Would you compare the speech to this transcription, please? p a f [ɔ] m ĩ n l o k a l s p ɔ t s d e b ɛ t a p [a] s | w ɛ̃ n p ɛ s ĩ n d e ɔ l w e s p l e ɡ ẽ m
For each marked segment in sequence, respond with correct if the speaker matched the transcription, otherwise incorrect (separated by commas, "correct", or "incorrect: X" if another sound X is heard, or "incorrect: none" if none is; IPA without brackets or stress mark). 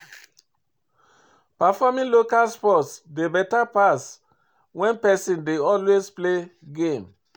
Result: correct, correct